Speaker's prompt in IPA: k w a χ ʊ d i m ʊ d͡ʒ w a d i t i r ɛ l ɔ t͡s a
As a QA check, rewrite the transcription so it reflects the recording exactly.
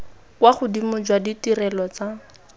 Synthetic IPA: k w a χ ʊ d i m ʊ d͡ʒ w a d i t i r ɛ l ɔ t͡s a